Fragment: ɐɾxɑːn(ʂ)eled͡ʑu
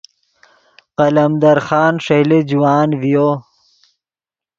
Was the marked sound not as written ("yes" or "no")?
no